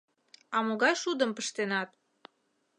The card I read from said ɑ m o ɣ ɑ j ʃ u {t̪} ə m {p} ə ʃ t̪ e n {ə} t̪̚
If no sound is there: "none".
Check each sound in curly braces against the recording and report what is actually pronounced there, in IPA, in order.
d̪, p, ɑ

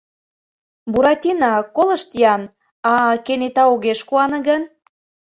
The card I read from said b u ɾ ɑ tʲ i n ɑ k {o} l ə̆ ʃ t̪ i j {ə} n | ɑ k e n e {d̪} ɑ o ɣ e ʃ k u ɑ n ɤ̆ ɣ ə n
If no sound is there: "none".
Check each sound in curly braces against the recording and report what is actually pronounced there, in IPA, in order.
o, ɑ, t̪

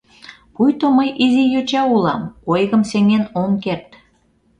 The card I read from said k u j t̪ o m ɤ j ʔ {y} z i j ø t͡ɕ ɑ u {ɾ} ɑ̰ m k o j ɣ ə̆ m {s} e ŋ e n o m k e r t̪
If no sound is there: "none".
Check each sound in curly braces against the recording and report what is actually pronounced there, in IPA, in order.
i, l, s

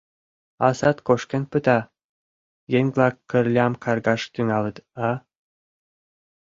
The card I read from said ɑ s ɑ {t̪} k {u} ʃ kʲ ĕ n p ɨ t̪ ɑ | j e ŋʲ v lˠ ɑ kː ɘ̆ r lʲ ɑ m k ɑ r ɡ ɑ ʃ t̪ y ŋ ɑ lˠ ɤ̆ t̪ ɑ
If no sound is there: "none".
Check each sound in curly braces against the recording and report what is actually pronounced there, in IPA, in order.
t̪, o

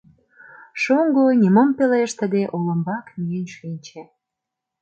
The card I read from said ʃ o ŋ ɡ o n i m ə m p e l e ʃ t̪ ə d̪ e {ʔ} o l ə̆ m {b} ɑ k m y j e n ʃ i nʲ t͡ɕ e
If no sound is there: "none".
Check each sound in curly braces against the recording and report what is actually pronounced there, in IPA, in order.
ʔ, b

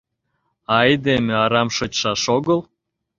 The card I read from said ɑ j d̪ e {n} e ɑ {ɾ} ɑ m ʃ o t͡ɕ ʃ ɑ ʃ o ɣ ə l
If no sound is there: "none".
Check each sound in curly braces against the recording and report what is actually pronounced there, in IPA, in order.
m, ɾ

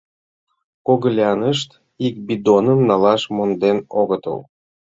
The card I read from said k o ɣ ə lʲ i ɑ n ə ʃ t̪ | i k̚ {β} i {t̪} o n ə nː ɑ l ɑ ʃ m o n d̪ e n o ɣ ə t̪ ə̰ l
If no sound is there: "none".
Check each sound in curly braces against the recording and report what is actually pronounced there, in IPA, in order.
b, d̪

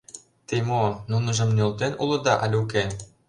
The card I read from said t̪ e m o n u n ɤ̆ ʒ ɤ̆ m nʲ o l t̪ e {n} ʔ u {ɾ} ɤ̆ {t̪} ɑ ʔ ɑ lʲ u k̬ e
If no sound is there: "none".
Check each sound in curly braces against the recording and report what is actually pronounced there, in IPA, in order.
n, l, d̪

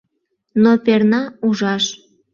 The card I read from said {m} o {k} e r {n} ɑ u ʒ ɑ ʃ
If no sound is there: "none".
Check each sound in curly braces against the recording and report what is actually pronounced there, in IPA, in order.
n, p, n

